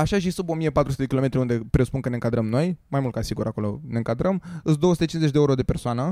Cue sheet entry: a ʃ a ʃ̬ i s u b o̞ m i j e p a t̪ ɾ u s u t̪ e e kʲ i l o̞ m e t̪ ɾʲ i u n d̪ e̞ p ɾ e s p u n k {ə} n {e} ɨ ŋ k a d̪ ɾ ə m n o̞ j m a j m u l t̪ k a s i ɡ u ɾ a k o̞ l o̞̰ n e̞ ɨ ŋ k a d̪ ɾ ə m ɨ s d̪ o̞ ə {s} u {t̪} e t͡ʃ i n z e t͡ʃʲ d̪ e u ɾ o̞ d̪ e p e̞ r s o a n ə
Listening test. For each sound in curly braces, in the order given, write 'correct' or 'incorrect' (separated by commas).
correct, correct, correct, correct